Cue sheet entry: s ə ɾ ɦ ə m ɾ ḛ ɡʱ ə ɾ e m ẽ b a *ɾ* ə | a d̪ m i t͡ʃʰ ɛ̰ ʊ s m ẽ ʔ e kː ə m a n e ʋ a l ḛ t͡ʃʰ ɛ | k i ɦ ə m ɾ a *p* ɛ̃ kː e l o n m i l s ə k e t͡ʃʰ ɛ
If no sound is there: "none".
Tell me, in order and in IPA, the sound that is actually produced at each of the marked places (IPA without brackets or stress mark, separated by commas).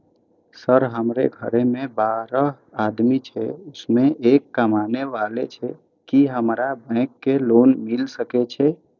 ɾ, b